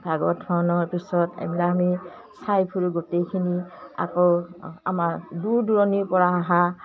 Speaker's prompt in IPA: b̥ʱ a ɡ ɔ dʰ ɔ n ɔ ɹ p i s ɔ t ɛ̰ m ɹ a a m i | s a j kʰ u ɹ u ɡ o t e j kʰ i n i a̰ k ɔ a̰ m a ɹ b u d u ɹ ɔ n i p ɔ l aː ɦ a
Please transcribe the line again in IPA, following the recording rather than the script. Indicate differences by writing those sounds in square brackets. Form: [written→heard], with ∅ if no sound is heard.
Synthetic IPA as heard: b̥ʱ a ɡ ɔ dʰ ɔ n ɔ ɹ p i s ɔ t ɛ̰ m [ɹ→l] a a m i | s a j [kʰ→pʰ] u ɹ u ɡ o t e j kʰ i n i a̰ k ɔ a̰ m a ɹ [b→d] u d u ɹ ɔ n i p ɔ [l→ɹ] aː ɦ a

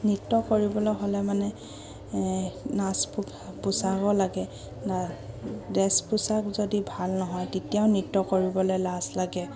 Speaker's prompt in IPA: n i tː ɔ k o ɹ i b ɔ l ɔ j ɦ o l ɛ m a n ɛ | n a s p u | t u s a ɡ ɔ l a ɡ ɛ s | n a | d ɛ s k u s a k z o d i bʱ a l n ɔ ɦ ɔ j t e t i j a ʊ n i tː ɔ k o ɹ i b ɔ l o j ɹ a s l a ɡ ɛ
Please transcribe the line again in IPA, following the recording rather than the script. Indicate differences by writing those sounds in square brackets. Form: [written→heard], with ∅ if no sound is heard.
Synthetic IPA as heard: n i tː ɔ k o ɹ i b ɔ l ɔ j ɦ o l ɛ m a n ɛ | n a s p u | [t→p] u s a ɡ ɔ l a ɡ ɛ [s→∅] | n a | d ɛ s [k→p] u s a k z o d i bʱ a l n ɔ ɦ ɔ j t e t i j a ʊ n i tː ɔ k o ɹ i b ɔ l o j [ɹ→l] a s l a ɡ ɛ

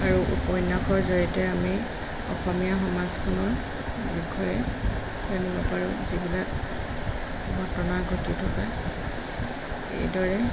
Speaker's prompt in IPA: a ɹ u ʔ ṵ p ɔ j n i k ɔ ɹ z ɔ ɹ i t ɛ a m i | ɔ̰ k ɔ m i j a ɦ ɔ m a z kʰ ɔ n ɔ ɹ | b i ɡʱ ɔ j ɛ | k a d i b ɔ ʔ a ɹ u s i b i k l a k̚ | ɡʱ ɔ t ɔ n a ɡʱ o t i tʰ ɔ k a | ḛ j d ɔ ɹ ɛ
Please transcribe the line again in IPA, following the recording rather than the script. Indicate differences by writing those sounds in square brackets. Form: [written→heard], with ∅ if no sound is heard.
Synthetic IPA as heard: a ɹ u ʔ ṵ p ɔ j n [i→a] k ɔ ɹ z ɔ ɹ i t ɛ a m i | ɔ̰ [k→x] ɔ m i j a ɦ ɔ m a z kʰ ɔ n ɔ ɹ | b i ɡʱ ɔ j ɛ | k a [d→n] i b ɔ [ʔ→p] a ɹ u [s→z] i b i [k→∅] l a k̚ | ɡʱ ɔ t ɔ n a ɡʱ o t i tʰ ɔ k a | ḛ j d ɔ ɹ ɛ

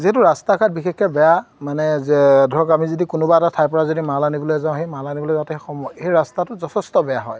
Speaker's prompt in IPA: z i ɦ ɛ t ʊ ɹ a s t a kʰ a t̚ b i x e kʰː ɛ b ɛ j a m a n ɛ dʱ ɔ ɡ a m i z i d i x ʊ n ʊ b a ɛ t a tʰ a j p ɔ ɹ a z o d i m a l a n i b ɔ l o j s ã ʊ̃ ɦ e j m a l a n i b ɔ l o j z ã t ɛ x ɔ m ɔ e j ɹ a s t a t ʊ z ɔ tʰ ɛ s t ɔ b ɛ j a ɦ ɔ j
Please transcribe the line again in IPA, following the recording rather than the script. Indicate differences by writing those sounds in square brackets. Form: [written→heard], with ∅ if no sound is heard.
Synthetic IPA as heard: z i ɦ ɛ t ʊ ɹ a s t a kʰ a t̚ b i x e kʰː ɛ b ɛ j a m a n ɛ dʱ ɔ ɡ a m i z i d i [x→k] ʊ n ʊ b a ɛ t a tʰ a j p ɔ ɹ a z o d i m a l a n i b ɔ l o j [s→z] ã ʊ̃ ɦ e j m a l a n i b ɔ l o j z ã t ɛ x ɔ m ɔ e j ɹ a s t a t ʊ z ɔ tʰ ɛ s t ɔ b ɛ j a ɦ ɔ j

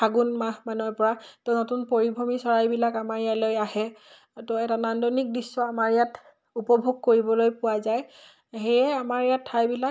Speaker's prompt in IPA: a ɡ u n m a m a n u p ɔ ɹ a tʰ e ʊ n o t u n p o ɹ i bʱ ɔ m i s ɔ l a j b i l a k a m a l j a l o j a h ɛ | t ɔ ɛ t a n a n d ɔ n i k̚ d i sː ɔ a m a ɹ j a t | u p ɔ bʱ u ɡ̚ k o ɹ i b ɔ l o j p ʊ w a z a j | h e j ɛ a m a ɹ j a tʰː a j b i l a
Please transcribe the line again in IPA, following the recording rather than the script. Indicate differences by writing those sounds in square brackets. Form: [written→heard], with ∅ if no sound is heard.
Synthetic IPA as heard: a ɡ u n m a m a n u p ɔ ɹ a [tʰ→t] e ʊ n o t u n p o ɹ i bʱ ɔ m i s ɔ [l→ɹ] a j b i l a k a m a [l→ɹ] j a l o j a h ɛ | t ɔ ɛ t a n a n d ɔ n i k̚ d i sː ɔ a m a ɹ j a t | u p ɔ bʱ u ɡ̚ k o ɹ i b ɔ l o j p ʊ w a z a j | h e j ɛ a m a ɹ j a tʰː a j b i l a

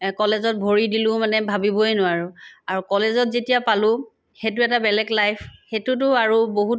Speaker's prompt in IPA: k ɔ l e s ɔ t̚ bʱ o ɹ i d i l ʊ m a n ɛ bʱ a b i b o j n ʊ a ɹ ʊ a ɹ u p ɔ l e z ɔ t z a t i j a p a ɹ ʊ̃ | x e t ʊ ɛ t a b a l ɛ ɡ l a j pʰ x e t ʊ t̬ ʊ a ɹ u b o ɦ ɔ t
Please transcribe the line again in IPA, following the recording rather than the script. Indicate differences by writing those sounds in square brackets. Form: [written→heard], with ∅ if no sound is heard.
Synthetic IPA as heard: k ɔ l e [s→z] ɔ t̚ bʱ o ɹ i d i l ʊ m a n ɛ bʱ a b i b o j n ʊ a ɹ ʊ a ɹ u [p→k] ɔ l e z ɔ t z [a→e] t i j a p a [ɹ→l] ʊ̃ | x e t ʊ ɛ t a b [a→ɛ] l ɛ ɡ l a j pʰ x e t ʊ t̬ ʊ a ɹ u b o ɦ [ɔ→u] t

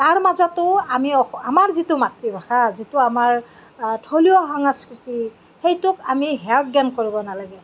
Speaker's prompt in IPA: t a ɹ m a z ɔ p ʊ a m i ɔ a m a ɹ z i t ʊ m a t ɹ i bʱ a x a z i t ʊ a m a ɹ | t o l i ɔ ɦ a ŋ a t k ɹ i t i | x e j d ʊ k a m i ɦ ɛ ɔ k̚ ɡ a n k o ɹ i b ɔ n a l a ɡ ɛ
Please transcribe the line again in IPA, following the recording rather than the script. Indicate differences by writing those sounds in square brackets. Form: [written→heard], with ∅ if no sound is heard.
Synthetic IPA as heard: t a ɹ m a z ɔ [p→t] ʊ a m i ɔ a m a ɹ z i t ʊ m a t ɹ i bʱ a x a z i t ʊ a m a ɹ | [t→tʰ] o l i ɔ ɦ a ŋ a [t→s] k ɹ i t i | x e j [d→t] ʊ k a m i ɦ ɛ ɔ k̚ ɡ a n k o ɹ i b ɔ n a l a ɡ ɛ

